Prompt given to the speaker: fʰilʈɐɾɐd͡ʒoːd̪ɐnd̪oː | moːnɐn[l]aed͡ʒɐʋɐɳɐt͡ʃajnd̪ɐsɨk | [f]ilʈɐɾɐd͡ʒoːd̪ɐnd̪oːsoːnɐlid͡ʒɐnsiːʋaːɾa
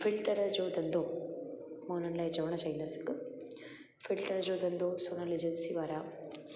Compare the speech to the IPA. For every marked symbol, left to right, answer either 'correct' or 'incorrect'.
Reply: correct, correct

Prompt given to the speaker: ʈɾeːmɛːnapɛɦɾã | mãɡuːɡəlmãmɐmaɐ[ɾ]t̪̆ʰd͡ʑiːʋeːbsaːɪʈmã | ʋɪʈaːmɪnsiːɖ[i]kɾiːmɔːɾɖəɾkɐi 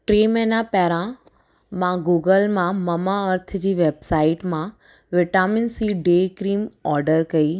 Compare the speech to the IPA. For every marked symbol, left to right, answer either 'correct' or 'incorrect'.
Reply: correct, incorrect: e

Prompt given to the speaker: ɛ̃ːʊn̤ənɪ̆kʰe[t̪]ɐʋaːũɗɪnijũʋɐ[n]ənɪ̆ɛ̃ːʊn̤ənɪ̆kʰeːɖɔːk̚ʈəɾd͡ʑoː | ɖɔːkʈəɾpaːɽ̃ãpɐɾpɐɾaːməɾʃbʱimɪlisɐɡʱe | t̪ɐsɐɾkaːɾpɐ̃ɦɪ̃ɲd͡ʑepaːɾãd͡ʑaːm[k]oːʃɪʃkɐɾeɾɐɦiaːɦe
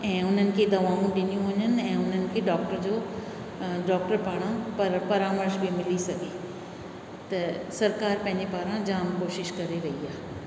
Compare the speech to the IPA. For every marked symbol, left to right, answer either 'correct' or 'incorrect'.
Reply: incorrect: d̪, incorrect: ɲ, correct

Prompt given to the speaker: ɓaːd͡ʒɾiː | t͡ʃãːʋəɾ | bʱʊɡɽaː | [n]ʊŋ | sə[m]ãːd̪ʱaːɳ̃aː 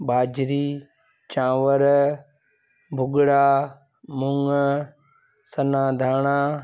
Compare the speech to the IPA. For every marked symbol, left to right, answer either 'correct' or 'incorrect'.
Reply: incorrect: m, incorrect: n

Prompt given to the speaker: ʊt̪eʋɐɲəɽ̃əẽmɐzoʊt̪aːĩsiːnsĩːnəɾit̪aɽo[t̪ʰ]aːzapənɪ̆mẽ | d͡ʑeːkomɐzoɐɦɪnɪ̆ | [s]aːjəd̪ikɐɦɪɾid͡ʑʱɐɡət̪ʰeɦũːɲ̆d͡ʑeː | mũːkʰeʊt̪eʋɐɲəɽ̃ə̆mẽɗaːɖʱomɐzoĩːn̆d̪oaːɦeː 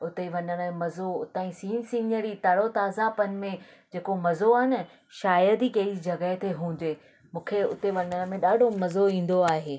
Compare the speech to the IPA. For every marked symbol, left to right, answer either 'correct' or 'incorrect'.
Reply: incorrect: t̪, incorrect: ʃ

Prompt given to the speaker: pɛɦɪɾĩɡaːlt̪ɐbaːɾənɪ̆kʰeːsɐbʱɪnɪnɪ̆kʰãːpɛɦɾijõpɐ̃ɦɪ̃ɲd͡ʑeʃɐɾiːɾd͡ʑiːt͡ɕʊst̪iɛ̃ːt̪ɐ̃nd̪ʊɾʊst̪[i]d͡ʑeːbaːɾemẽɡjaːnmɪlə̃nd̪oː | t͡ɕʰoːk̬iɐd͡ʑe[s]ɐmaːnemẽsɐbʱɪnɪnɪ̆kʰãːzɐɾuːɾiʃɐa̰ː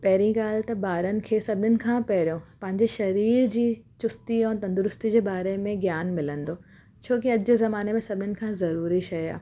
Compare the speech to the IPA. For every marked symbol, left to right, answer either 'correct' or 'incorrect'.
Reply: correct, incorrect: z

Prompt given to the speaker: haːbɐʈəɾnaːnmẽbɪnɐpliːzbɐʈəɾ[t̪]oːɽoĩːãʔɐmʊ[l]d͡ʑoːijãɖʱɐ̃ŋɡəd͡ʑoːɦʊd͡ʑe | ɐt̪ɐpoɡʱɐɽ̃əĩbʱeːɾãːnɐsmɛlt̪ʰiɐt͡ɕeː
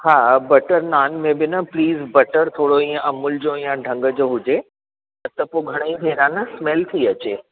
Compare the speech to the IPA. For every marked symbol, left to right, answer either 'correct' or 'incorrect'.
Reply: incorrect: t̪ʰ, correct

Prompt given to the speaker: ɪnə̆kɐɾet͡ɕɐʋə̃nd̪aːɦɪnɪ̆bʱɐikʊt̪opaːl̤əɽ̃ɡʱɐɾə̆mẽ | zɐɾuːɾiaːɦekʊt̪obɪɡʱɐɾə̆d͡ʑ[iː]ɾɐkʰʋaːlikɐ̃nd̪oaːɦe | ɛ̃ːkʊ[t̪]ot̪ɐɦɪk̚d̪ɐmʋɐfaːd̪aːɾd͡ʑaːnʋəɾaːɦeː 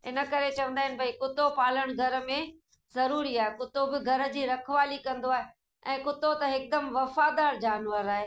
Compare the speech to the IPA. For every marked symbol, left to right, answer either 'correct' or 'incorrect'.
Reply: correct, correct

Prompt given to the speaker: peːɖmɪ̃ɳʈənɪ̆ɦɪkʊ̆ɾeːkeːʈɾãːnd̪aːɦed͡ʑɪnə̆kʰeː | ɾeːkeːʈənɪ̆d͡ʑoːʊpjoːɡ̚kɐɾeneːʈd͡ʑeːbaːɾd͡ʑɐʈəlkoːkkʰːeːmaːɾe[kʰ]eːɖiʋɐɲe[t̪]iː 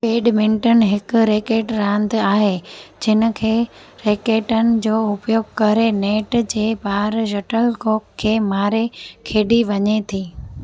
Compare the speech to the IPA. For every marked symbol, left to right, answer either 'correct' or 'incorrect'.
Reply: correct, incorrect: t̪ʰ

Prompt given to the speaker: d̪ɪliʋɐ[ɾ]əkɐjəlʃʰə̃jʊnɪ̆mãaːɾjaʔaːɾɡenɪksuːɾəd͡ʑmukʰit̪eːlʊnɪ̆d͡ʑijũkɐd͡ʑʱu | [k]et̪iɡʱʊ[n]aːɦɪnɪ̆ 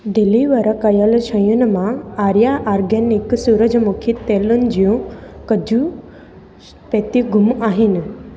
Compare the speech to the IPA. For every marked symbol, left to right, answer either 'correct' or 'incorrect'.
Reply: correct, incorrect: p, incorrect: m

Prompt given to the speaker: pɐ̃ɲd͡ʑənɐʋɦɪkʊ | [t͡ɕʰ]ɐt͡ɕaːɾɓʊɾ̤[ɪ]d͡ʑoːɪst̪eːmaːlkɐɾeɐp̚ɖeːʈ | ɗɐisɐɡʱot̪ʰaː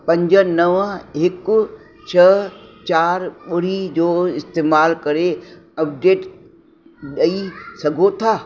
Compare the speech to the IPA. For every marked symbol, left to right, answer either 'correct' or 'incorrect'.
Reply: correct, incorrect: i

